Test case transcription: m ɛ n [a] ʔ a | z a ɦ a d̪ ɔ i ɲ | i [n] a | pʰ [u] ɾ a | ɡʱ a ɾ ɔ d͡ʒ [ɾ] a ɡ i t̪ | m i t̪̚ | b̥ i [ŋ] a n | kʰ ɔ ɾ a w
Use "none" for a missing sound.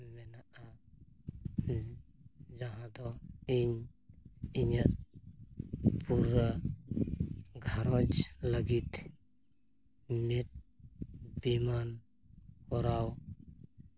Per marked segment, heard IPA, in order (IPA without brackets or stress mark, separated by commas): a, ɲ, u, l, m